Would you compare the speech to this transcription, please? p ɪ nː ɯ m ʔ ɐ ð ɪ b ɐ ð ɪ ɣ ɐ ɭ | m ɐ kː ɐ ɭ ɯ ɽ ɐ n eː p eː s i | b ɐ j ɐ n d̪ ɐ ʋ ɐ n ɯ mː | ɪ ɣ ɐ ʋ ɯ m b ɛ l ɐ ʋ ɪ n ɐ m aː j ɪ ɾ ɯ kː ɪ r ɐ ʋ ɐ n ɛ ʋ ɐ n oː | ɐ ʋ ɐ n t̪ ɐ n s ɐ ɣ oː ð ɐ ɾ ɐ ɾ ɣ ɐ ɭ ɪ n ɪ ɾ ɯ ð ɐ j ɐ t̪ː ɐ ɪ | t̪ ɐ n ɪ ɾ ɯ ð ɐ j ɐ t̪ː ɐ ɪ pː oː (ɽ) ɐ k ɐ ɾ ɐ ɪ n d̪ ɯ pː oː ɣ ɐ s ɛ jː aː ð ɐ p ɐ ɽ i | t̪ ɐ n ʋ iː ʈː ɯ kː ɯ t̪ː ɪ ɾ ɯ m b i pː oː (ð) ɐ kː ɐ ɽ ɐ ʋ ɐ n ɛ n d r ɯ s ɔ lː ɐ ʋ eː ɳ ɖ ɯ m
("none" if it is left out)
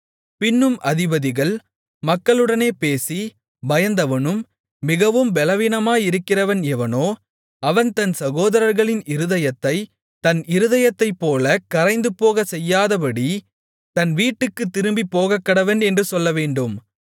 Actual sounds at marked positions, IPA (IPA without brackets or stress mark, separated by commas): l, ɣ